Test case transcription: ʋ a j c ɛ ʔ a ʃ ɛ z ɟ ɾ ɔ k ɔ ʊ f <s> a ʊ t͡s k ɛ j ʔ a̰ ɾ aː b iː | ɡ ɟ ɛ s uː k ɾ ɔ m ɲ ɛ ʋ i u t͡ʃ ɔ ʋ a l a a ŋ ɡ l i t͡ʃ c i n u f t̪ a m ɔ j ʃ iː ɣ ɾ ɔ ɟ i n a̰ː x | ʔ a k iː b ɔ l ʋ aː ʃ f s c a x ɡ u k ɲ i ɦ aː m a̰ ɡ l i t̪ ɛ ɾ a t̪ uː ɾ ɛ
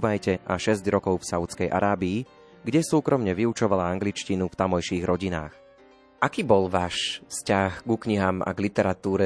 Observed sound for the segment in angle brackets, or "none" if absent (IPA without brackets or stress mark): s